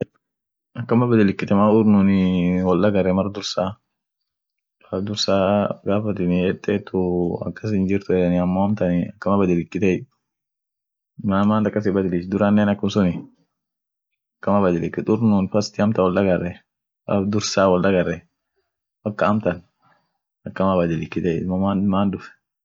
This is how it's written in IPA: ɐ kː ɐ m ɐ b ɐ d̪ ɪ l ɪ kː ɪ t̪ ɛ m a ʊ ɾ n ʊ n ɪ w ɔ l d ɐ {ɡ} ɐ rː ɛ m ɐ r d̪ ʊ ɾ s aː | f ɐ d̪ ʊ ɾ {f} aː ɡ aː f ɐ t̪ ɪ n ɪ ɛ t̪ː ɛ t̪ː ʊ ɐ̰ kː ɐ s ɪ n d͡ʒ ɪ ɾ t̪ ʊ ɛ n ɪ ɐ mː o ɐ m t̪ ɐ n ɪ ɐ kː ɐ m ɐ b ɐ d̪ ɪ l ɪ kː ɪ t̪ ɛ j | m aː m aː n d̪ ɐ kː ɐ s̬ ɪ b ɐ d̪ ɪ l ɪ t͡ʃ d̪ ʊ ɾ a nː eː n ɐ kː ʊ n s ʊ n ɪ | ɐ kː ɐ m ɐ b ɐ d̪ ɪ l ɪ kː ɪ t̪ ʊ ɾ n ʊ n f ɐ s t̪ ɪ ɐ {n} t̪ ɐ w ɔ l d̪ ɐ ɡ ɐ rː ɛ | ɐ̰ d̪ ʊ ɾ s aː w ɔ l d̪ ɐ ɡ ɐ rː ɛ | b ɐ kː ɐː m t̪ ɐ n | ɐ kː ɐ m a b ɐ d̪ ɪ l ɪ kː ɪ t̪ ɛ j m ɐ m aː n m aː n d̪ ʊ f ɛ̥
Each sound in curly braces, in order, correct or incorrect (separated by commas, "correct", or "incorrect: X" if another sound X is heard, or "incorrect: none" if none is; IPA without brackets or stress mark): correct, incorrect: s, incorrect: m